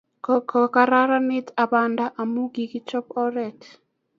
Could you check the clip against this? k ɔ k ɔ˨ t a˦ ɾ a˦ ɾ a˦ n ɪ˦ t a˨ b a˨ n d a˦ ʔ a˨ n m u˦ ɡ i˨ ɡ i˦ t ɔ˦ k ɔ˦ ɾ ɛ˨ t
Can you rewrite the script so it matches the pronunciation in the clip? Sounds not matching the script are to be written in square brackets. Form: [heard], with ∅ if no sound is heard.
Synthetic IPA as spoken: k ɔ k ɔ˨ [k] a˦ ɾ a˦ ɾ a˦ n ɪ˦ t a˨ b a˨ n d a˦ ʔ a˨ [∅] m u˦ ɡ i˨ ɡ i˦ [t͡ʃ] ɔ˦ [p] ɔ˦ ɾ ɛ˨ t